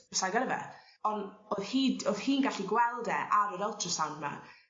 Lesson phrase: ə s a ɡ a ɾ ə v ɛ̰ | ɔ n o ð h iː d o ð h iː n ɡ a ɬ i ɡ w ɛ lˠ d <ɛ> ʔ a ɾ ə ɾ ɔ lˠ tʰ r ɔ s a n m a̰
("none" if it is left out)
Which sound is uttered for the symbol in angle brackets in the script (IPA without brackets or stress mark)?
ɛ